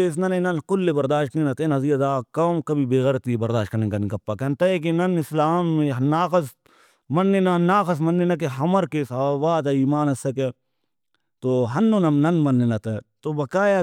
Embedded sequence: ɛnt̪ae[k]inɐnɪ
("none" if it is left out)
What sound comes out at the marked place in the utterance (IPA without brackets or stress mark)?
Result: k